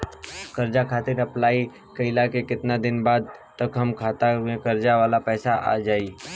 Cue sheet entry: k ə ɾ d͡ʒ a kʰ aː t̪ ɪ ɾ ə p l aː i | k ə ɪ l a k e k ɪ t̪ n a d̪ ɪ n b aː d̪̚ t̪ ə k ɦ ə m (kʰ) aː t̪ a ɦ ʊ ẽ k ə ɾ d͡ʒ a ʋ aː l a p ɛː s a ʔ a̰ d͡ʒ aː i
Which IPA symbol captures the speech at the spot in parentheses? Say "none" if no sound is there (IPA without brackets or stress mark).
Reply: kʰ